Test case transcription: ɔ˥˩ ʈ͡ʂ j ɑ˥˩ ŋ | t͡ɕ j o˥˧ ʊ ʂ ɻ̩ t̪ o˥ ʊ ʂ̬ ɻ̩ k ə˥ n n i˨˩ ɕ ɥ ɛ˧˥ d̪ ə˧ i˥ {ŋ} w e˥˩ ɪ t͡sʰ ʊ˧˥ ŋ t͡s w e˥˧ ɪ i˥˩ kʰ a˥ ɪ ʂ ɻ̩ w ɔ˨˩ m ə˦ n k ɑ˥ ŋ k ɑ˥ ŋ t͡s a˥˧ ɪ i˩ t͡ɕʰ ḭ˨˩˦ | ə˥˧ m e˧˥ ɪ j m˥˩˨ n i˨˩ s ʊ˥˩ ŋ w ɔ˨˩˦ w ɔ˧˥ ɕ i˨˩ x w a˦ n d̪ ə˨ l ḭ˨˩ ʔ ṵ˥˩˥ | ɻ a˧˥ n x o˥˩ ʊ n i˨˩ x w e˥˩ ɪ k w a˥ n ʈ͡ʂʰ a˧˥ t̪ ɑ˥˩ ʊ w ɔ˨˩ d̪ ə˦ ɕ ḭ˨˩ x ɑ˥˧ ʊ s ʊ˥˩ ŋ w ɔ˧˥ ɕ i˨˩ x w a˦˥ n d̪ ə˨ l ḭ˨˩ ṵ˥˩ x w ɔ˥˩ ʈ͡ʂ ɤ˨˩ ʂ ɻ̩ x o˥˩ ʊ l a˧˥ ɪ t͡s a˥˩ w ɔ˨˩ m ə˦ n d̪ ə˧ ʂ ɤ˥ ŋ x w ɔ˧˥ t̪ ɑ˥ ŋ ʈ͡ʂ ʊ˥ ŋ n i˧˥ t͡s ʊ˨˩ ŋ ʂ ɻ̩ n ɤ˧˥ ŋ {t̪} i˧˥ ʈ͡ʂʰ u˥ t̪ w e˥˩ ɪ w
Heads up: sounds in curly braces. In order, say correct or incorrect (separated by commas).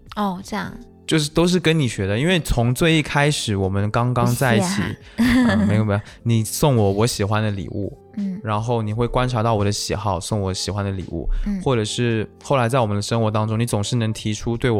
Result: incorrect, incorrect